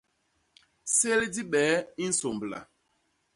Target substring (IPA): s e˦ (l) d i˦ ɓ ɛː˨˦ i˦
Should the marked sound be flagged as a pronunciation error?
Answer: no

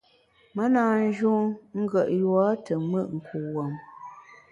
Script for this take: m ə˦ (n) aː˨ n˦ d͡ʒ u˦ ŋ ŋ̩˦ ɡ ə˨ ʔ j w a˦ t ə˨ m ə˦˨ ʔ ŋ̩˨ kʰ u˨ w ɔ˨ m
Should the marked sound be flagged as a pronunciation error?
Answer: no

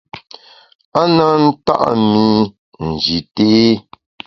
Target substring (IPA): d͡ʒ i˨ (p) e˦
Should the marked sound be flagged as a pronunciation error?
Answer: yes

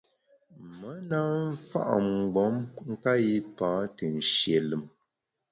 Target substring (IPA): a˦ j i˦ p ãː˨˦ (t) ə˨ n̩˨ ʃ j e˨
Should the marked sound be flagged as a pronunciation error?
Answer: no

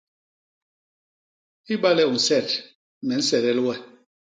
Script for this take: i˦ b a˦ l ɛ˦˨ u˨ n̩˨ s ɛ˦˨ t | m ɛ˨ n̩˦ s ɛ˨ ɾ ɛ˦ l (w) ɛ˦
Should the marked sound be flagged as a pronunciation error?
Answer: no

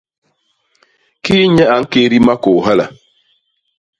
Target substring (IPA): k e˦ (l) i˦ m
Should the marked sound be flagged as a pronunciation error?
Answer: yes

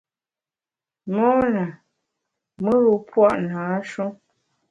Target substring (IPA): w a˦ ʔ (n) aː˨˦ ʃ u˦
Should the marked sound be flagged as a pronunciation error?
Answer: no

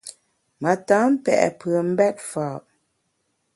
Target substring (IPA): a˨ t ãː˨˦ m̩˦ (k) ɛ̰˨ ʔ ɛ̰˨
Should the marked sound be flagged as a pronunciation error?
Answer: yes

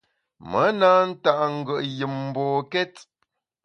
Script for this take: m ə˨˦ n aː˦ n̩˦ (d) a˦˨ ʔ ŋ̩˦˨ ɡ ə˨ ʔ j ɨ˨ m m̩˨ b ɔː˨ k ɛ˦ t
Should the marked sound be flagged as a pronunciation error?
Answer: yes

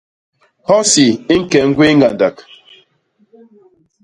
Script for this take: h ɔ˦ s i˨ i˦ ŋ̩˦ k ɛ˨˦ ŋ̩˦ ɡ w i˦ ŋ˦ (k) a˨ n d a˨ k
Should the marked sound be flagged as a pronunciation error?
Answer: yes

